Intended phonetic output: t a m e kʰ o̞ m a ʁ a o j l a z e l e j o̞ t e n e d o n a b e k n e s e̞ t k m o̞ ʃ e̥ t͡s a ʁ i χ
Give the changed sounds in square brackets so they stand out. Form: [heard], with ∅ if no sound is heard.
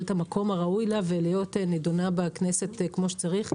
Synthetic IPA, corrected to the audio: t a m [a] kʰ o̞ m a ʁ a [u] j l a [v] e l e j o̞ t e n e d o n a b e k n e s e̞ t k m o̞ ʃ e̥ t͡s a ʁ i χ